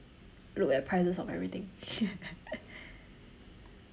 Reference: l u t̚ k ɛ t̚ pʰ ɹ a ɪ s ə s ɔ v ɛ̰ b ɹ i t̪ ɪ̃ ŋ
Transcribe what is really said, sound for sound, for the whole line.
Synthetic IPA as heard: l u k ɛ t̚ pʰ ɹ a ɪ s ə s ɔ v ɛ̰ v ɹ i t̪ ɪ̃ ŋ